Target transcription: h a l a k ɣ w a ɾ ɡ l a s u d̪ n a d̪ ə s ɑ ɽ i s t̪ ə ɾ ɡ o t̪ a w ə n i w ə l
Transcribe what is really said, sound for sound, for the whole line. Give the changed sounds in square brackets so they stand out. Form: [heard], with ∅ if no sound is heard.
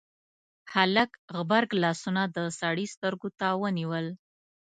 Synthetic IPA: h a l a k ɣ [b] a ɾ ɡ l [ɑ] s u [∅] n a d̪ ə s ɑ ɽ i s t̪ ə ɾ ɡ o t̪ a w ə n i w ə l